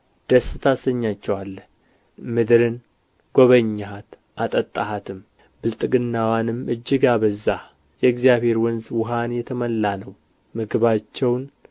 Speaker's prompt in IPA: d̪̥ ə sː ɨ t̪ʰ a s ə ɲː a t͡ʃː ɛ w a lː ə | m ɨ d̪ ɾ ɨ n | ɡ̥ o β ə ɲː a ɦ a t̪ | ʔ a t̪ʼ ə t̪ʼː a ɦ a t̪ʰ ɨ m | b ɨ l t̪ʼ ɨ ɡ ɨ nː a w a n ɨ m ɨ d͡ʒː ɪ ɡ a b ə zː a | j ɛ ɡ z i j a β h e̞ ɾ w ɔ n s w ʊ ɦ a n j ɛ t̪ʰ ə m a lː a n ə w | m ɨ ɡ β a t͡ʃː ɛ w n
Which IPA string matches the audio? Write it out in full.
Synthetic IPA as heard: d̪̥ ə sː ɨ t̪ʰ a s ə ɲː a t͡ʃː ɛ w a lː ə | m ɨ d̪ ɾ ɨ n | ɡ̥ o β ə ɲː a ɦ a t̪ | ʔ a t̪ʼ ə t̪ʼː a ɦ a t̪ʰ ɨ m | b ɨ l t̪ʼ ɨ ɡ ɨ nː a w a n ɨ m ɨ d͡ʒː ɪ ɡ a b ə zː a | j ɛ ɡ z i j a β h e̞ ɾ w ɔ n z w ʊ ɦ a n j ɛ t̪ʰ ə m ə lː a n ə w | m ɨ ɡ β a t͡ʃː ɛ w n